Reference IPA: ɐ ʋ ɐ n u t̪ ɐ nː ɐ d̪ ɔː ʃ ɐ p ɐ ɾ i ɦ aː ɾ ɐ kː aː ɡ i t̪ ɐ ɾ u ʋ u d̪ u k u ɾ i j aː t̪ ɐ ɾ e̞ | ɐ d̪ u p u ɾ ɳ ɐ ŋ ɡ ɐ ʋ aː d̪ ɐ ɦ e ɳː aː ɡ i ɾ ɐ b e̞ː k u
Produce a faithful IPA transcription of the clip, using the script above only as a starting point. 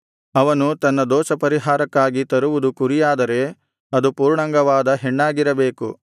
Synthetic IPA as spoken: ɐ ʋ ɐ n u t̪ ɐ nː ɐ d̪ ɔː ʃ ɐ p ɐ ɾ i ɦ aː ɾ ɐ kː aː ɡ i t̪ ɐ ɾ u ʋ u d̪ u k u ɾ i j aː d̪ ɐ ɾ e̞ | ɐ d̪ u p uː ɾ ɳ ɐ ŋ ɡ ɐ ʋ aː d̪ ɐ ɦ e ɳː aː ɡ i ɾ ɐ b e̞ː k u

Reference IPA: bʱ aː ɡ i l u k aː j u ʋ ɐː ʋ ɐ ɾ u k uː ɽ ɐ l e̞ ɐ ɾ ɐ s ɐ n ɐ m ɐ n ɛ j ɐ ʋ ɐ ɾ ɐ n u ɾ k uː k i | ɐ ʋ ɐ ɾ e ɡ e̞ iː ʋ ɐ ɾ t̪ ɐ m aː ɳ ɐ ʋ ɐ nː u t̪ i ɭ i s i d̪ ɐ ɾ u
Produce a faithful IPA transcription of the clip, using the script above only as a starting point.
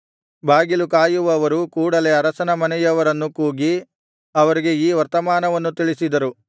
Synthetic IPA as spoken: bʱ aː ɡ i l u k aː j u ʋ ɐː ʋ ɐ ɾ u k uː ɽ ɐ l e̞ ɐ ɾ ɐ s ɐ n ɐ m ɐ n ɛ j ɐ ʋ ɐ ɾ ɐ nː u k uː ɡ i | ɐ ʋ ɐ ɾ i ɡ e̞ iː ʋ ɐ ɾ t̪ ɐ m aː n ɐ ʋ ɐ nː u t̪ i ɭ i s i d̪ ɐ ɾ u

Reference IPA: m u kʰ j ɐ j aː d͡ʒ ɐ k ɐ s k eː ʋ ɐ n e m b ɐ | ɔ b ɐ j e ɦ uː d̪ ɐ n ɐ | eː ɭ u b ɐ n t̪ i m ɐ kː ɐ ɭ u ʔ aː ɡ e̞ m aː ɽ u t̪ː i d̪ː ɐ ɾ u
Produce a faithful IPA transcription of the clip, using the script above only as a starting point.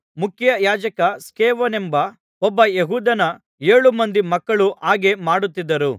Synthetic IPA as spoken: m u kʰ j ɐ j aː d͡ʒ ɐ k ɐ s k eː ʋ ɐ n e m b ɐ | ɔ bː ɐ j e ɦ uː d̪ ɐ n ɐ | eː ɭ u m ɐ n d̪ i m ɐ kː ɐ ɭ u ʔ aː ɡ e̞ m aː ɽ u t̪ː i d̪ː ɐ ɾ u

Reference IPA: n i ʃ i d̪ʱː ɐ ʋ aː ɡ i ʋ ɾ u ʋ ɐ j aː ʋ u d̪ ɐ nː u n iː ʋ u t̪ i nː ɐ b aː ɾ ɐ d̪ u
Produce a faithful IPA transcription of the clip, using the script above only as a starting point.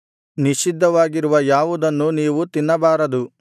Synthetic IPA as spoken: n i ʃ i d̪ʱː ɐ ʋ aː ɡ i ɾ u ʋ ɐ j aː ʋ u d̪ ɐ nː u n iː ʋ u t̪ i nː ɐ b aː ɾ ɐ d̪ u

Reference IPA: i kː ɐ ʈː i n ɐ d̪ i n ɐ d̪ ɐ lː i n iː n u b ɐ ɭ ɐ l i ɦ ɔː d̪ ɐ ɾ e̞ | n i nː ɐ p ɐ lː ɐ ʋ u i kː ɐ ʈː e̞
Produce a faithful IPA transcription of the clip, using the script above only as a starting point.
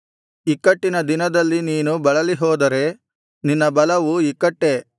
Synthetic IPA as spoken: i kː ɐ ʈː i n ɐ d̪ i n ɐ d̪ ɐ lː i n iː n u b ɐ ɭ ɐ l i ɦ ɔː d̪ ɐ ɾ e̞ | n i nː ɐ b ɐ l ɐ ʋ u i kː ɐ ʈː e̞

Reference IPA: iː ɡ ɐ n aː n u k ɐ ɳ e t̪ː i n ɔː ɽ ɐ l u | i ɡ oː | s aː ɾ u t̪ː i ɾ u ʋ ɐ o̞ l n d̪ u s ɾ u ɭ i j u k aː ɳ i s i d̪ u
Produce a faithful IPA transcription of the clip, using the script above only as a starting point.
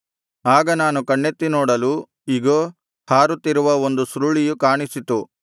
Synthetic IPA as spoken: aː ɡ ɐ n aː n u k ɐ ɳː e t̪ː i n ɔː ɽ ɐ l u | i ɡ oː | h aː ɾ u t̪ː i ɾ u ʋ ɐ o̞ n d̪ u s ɾ u ɭ i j u k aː ɳ i s i t̪ u

